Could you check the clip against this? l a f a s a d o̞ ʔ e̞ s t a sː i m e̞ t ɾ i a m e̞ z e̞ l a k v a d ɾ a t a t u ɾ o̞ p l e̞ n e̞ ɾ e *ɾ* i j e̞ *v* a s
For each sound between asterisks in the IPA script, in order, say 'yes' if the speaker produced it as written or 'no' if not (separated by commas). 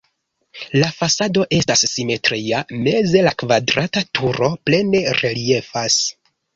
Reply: no, no